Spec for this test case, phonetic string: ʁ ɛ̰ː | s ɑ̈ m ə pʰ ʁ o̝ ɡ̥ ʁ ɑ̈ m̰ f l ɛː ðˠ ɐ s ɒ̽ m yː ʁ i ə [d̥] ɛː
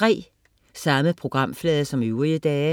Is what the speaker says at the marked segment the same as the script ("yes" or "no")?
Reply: yes